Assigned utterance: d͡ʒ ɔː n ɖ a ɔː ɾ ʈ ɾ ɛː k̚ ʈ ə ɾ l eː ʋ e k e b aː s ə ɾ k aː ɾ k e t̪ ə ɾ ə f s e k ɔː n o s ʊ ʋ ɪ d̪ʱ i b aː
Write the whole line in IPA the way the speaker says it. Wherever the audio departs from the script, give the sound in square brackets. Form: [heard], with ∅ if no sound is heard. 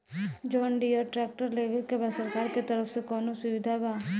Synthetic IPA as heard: d͡ʒ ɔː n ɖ [i] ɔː ɾ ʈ ɾ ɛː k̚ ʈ ə ɾ l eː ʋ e k e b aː s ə ɾ k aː ɾ k e t̪ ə ɾ ə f s e k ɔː n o s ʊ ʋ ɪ d̪ʱ [a] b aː